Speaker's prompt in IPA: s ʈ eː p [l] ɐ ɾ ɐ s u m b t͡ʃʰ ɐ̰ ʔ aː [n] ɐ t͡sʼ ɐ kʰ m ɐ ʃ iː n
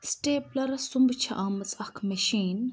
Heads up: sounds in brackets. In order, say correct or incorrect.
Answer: correct, incorrect: m

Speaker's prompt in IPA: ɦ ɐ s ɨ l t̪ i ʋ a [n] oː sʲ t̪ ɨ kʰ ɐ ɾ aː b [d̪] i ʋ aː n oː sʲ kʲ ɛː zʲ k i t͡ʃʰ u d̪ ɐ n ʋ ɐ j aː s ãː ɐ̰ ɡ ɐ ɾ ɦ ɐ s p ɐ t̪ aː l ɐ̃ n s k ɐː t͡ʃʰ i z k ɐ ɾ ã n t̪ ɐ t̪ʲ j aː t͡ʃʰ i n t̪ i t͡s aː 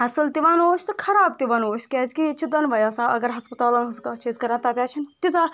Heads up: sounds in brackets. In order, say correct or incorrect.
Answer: correct, incorrect: t̪

